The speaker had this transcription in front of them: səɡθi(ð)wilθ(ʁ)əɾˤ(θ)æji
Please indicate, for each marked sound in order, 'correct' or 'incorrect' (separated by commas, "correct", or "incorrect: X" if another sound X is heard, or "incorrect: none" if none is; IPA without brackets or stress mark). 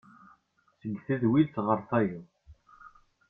correct, correct, correct